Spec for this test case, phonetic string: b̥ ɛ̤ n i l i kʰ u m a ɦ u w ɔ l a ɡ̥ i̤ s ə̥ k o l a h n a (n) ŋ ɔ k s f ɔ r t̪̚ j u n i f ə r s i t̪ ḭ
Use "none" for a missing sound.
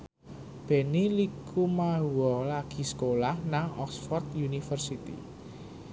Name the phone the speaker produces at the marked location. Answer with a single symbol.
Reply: none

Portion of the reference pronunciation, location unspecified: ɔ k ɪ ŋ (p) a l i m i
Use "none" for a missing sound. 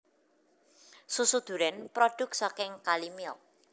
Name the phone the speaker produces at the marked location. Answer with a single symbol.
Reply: k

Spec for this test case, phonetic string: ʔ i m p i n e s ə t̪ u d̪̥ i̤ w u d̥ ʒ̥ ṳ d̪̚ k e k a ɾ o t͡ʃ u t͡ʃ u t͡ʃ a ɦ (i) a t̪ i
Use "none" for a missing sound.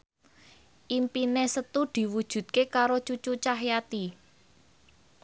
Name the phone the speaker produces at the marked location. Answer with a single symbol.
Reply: j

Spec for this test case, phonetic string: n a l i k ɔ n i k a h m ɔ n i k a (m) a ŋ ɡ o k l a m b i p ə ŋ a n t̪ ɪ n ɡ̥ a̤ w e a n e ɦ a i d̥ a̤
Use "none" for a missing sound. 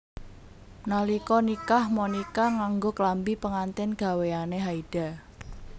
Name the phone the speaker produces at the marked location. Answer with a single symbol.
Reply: ŋ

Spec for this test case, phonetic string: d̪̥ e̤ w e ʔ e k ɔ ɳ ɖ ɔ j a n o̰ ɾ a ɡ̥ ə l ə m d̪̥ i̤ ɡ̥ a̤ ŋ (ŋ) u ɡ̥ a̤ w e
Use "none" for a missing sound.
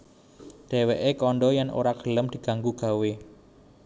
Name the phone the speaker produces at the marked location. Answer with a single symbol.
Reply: ɡ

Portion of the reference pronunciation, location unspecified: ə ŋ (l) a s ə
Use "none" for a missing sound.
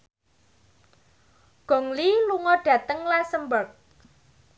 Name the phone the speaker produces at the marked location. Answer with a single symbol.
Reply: l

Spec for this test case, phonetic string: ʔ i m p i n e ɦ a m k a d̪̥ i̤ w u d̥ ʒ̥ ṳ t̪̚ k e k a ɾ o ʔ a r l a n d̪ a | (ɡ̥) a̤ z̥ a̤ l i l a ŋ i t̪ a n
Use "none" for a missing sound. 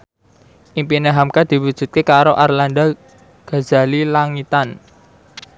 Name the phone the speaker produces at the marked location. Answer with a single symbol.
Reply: ɡ̥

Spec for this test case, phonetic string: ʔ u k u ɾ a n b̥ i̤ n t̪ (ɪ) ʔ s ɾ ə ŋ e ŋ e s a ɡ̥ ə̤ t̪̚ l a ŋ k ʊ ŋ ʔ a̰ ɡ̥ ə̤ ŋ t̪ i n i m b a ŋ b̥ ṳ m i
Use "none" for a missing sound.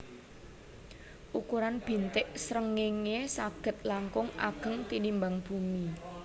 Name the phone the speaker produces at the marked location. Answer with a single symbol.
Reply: ɪ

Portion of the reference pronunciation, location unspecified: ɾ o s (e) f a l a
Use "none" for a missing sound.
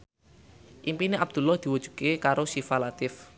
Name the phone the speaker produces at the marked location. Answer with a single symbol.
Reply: i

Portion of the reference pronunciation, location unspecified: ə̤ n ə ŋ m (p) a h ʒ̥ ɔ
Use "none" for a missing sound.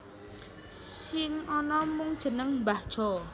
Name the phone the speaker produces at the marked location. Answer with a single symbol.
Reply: b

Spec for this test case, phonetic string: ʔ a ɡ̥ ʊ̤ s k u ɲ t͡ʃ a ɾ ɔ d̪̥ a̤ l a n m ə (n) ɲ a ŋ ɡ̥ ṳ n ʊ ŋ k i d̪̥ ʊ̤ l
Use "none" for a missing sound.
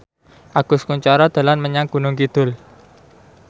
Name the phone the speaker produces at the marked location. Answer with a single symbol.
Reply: none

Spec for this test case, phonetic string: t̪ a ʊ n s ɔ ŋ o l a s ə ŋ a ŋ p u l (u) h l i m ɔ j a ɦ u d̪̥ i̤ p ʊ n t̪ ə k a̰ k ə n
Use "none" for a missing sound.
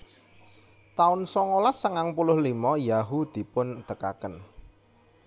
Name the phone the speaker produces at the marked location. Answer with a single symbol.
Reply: ʊ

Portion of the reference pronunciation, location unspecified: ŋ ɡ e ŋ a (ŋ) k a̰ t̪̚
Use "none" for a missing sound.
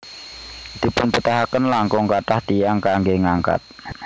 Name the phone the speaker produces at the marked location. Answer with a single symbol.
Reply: ŋ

